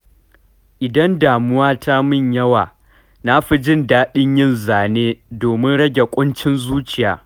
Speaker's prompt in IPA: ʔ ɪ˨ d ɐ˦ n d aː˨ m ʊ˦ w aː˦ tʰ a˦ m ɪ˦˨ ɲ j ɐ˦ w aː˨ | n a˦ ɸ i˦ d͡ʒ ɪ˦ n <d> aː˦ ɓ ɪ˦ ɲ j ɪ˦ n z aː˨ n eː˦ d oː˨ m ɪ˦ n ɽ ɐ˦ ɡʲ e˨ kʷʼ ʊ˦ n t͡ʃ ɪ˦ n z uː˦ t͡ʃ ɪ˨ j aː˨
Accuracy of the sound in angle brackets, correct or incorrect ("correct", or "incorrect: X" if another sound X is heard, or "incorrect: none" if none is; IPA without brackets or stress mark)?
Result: correct